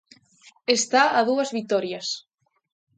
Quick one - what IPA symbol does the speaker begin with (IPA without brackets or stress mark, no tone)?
e